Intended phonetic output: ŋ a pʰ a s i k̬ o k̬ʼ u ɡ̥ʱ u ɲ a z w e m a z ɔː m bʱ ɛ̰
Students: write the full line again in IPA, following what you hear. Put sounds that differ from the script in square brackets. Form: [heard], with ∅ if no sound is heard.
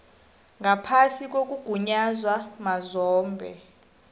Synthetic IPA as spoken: ŋ a pʰ a s i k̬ o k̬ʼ u ɡ̥ʱ u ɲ a z w [a] m a z ɔː m bʱ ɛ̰